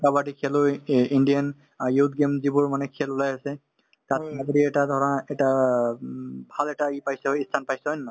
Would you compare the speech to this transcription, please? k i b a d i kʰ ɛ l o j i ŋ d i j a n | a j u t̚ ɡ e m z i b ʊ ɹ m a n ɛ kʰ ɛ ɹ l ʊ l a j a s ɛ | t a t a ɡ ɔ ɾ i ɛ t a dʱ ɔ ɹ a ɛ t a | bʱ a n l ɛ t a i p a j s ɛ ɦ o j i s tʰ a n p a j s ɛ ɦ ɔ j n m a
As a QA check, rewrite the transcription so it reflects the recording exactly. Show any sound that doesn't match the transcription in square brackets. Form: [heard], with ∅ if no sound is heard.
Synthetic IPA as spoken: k [a] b a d i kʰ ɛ l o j i [n] d i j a n | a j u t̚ ɡ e m z i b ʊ ɹ m a n ɛ kʰ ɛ [∅] l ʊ l a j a s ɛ | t a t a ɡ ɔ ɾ i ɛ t a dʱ ɔ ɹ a ɛ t a | bʱ a [∅] l ɛ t a i p a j s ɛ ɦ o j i s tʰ a n p a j s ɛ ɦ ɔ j n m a